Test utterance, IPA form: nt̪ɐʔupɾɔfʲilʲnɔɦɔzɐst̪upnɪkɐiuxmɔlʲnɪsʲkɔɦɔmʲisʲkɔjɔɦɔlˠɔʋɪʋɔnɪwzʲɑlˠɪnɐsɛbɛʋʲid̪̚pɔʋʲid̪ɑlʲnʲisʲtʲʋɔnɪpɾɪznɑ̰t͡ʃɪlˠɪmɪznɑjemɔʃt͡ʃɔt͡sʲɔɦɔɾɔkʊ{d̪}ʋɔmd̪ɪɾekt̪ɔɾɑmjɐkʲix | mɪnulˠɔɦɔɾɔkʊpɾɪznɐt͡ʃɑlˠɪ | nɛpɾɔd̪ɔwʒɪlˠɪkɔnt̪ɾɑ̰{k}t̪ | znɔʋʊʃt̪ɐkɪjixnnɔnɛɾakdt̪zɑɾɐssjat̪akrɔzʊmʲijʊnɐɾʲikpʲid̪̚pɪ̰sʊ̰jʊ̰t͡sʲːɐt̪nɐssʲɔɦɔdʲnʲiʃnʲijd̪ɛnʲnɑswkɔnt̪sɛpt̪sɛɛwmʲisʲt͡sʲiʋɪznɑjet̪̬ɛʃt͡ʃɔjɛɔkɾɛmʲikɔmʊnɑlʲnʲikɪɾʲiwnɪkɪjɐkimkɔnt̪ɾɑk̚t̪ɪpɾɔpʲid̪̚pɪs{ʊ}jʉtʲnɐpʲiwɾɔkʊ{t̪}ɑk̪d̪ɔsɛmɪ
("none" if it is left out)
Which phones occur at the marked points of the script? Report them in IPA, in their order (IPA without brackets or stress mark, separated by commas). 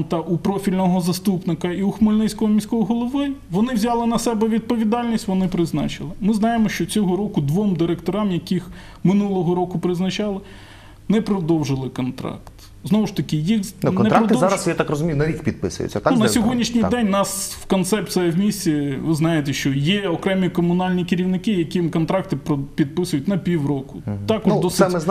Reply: d̪, k, ʊ, t̪